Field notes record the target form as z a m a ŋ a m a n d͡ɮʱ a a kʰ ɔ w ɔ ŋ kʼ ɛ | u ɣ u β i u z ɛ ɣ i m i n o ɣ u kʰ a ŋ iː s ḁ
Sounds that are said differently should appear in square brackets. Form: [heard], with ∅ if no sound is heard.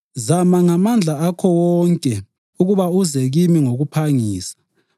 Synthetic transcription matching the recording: z a m a ŋ a m a n d͡ɮʱ a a kʰ ɔ w ɔ ŋ kʼ ɛ | u ɣ u β [a] u z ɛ ɣ i m i [ŋ] o ɣ u [pʰ] a ŋ iː s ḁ